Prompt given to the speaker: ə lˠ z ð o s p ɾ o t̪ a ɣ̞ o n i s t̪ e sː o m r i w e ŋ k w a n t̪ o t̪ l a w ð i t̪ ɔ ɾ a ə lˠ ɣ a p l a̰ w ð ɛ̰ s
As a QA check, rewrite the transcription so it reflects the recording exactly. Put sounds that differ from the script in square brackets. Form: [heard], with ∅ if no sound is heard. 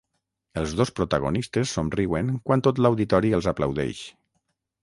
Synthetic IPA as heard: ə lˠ z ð o s p ɾ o t̪ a ɣ̞ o n i s t̪ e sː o m r i w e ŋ k w a n t̪ o t̪ l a w ð i t̪ ɔ ɾ [i] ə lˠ [z] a p l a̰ w ð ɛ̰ [ʃ]